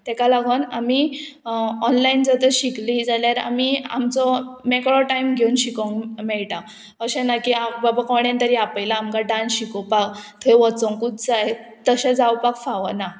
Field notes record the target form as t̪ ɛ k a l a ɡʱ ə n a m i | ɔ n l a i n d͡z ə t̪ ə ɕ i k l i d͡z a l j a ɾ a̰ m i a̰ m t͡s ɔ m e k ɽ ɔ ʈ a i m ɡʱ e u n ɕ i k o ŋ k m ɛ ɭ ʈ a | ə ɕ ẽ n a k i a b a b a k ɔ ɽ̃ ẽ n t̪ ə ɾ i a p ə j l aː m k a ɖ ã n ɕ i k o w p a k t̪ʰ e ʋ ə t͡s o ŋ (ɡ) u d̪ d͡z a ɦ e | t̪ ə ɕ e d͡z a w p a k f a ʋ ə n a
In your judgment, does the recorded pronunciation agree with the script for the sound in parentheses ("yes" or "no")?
no